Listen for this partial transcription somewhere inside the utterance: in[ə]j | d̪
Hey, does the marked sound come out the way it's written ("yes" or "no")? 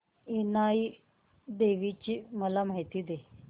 no